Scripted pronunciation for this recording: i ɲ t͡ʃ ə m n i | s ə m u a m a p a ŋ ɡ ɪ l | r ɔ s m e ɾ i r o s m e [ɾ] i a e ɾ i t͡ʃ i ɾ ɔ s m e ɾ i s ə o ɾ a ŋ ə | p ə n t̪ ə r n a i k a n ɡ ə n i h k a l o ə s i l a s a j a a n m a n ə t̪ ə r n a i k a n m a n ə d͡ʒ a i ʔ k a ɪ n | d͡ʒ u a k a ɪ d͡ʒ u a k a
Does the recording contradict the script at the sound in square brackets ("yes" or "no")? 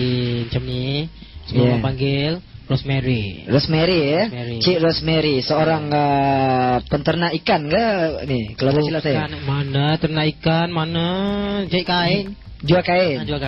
no